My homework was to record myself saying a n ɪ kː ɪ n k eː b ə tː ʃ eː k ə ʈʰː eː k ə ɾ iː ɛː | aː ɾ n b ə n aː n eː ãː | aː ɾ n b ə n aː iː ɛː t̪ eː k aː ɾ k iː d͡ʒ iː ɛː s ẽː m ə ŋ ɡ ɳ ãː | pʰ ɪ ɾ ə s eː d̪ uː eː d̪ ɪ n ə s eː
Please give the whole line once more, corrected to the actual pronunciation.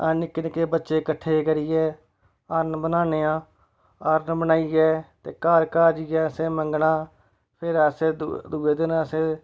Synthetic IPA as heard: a n ɪ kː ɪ n k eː b ə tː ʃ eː k ə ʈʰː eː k ə ɾ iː ɛː | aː ɾ n b ə n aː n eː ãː | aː ɾ n b ə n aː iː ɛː t̪ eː k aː ɾ k aː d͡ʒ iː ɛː s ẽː m ə ŋ ɡ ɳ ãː | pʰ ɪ ɾ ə s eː d̪ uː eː d̪ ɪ n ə s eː